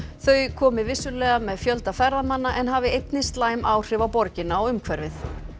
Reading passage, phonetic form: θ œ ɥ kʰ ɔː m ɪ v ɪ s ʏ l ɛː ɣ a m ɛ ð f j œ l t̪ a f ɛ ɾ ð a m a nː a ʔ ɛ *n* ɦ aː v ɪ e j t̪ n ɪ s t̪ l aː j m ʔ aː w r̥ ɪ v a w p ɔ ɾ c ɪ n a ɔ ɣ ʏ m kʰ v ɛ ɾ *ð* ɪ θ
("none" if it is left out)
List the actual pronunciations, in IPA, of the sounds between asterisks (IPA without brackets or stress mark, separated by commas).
n, v